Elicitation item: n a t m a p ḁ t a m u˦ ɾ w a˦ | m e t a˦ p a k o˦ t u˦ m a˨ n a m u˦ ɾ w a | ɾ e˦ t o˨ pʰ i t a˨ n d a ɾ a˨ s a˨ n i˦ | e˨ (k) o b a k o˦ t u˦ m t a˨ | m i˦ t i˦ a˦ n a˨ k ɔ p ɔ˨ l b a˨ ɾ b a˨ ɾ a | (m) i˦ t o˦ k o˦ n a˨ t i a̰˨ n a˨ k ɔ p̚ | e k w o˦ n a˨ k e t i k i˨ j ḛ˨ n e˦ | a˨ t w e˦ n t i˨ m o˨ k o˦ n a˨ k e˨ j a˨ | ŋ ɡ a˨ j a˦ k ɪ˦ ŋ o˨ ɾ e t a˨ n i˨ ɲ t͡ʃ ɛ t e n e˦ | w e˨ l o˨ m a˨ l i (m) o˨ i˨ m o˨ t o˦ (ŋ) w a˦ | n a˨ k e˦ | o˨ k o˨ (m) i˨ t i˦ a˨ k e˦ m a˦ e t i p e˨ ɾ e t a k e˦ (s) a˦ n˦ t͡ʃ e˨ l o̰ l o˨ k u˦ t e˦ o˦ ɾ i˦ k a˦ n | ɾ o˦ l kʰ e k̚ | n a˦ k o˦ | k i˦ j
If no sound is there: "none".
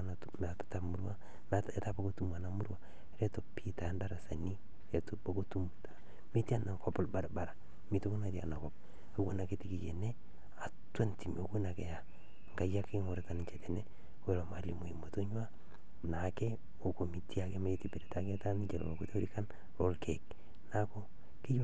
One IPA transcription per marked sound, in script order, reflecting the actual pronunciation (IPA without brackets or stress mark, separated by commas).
t, m, m, ɲ, m, t